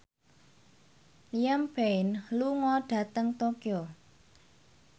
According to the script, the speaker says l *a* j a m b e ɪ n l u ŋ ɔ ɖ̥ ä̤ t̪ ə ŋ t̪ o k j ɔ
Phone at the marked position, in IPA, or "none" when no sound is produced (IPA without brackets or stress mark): i